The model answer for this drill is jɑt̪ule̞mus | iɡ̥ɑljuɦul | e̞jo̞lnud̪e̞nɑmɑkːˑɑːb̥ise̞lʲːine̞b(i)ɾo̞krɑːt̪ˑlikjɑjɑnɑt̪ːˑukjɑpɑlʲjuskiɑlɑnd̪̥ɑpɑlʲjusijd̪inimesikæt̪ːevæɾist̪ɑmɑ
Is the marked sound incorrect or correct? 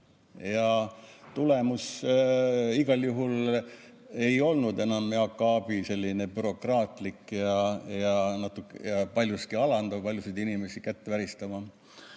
incorrect: y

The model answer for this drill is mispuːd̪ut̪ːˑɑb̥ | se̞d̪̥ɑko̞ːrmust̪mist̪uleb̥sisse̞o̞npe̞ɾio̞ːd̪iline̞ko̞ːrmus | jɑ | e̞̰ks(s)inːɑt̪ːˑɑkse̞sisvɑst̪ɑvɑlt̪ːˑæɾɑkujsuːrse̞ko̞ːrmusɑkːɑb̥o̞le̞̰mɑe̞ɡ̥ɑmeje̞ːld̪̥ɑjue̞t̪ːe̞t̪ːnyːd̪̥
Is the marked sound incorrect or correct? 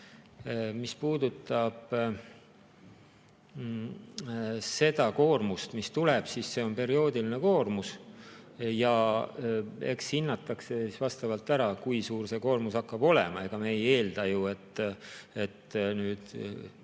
incorrect: h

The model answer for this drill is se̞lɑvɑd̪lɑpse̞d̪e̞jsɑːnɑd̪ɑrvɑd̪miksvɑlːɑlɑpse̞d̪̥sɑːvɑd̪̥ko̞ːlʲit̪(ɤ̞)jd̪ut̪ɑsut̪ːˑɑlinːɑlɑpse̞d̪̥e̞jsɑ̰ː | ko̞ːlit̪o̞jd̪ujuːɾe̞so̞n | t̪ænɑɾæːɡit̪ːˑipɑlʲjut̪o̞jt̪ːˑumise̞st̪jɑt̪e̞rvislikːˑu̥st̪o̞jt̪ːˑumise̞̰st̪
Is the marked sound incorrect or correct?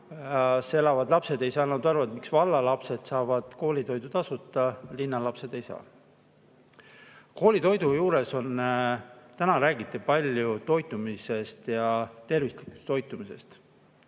incorrect: o̞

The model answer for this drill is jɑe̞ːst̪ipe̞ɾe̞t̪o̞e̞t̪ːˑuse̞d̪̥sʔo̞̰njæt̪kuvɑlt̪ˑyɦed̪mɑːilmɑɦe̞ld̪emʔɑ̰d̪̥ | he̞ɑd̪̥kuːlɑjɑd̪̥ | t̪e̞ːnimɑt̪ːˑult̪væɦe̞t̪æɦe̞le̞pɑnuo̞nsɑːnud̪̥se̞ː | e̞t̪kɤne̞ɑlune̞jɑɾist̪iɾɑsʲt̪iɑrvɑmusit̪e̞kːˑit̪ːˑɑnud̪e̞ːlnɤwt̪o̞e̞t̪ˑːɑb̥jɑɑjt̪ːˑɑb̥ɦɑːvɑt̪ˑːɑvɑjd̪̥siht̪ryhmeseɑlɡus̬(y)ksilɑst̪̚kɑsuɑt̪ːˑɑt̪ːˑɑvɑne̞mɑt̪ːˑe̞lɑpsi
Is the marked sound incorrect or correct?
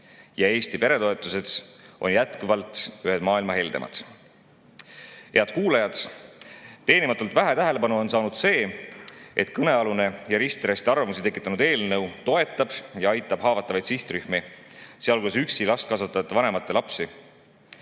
correct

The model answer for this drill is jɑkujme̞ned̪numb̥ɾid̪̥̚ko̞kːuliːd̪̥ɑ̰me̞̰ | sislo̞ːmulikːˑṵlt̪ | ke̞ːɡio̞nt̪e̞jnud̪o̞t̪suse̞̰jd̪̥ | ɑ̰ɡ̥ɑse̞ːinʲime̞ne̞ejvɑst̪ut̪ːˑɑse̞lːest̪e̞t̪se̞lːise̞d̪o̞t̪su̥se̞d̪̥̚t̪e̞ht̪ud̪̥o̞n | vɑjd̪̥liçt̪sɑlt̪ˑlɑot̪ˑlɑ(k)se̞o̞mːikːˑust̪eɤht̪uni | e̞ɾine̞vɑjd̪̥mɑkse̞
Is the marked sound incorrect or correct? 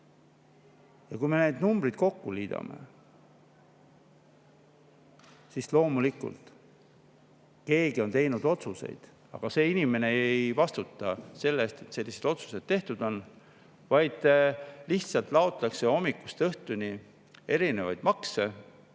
correct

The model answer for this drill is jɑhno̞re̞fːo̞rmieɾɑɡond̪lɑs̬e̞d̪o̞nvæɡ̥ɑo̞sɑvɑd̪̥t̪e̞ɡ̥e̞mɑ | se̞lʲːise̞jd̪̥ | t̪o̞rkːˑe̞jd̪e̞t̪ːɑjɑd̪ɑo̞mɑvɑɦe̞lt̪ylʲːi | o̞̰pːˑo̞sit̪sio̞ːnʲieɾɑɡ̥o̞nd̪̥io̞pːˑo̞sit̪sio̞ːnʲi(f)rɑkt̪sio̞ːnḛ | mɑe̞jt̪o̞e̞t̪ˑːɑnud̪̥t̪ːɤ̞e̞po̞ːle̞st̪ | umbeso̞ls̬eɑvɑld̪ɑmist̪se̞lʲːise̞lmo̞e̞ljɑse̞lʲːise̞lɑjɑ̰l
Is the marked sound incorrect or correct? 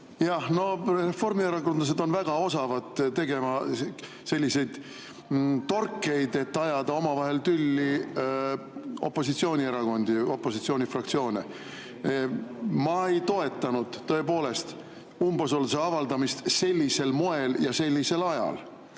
correct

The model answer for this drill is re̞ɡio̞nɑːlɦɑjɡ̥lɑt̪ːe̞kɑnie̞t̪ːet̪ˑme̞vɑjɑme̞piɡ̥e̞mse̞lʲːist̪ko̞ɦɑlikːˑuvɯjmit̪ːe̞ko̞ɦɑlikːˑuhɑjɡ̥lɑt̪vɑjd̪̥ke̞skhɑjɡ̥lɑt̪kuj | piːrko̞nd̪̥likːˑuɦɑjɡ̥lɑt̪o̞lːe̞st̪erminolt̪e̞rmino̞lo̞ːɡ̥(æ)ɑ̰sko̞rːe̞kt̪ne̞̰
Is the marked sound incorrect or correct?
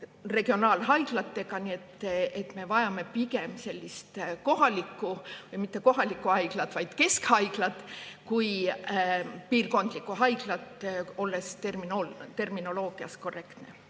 incorrect: i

